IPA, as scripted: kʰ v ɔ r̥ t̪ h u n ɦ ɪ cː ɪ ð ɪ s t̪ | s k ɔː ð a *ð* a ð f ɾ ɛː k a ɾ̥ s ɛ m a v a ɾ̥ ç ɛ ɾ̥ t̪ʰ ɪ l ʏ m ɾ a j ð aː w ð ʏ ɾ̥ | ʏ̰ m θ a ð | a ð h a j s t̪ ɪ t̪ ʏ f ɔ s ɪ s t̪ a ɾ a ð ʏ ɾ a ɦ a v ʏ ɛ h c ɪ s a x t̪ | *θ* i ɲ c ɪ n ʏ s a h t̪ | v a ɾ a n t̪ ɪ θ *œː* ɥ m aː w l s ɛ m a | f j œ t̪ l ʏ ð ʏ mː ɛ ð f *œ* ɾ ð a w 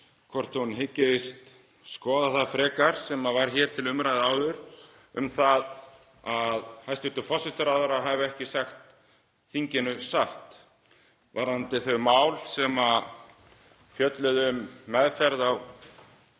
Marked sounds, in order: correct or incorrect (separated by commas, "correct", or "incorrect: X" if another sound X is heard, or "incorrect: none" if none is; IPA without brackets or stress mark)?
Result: incorrect: θ, correct, incorrect: œ, incorrect: ɛ